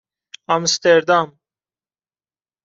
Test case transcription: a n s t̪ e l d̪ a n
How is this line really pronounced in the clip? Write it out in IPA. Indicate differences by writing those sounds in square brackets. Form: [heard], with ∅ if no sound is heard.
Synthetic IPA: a [m] s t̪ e [ɾ] d̪ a [m]